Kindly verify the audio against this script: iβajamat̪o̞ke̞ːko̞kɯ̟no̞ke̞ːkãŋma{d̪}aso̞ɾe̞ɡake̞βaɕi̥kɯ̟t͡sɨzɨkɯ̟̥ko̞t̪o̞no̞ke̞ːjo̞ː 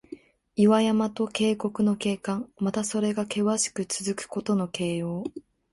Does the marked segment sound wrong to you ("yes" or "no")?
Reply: yes